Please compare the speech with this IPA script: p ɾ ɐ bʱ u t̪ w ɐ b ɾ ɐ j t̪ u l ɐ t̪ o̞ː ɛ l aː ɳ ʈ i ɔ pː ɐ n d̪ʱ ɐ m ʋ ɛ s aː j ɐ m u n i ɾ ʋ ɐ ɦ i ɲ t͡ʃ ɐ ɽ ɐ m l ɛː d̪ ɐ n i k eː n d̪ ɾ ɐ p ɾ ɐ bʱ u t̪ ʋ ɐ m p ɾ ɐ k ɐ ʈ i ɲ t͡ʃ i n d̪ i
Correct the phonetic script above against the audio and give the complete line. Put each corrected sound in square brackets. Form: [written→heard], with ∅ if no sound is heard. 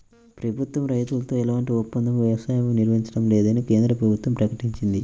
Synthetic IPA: p ɾ ɐ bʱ u t̪ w ɐ [b→m] ɾ ɐ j t̪ u l ɐ t̪ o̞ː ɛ l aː ɳ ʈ i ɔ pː ɐ n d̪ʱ ɐ m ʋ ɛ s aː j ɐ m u n i ɾ ʋ ɐ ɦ i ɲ t͡ʃ ɐ ɽ ɐ m l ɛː d̪ ɐ n i k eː n d̪ ɾ ɐ p ɾ ɐ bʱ u t̪ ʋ ɐ m p ɾ ɐ k ɐ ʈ i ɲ t͡ʃ i n d̪ i